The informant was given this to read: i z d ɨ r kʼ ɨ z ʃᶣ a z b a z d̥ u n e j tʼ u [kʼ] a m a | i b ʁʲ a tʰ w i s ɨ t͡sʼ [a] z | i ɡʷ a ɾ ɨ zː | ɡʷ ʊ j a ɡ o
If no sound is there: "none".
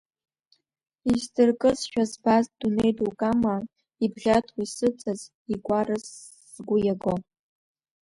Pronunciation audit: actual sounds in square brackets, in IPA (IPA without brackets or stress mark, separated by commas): kʼ, a